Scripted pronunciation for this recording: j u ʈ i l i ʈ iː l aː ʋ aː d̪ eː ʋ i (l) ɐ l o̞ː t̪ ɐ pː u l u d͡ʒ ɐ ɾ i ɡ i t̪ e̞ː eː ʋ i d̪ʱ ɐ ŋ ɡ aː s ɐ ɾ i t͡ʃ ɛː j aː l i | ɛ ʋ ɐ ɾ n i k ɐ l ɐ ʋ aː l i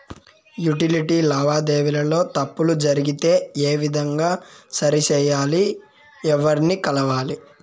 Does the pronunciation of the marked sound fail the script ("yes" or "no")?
no